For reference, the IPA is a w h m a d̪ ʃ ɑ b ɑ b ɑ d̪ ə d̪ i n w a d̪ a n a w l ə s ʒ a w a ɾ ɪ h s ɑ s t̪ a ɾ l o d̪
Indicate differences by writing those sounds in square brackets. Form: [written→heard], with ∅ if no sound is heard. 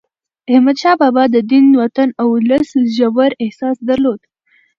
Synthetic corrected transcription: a [w→∅] h m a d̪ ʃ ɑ b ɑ b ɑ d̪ ə d̪ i n w a [d̪→t̪] a n a w l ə s ʒ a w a ɾ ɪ h s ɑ s [t̪→d̪] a ɾ l o d̪